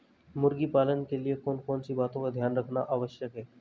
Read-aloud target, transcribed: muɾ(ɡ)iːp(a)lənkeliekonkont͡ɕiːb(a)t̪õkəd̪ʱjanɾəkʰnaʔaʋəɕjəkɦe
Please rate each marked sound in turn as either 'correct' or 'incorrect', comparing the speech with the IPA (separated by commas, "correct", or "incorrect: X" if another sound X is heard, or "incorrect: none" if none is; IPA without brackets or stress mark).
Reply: correct, correct, correct